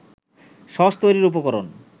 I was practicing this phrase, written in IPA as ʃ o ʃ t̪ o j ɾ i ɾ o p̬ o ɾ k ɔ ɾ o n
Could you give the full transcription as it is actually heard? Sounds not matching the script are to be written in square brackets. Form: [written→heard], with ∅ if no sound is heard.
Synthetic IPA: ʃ [o→ɔ] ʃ t̪ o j ɾ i ɾ [o→u] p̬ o [ɾ→∅] k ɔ ɾ o n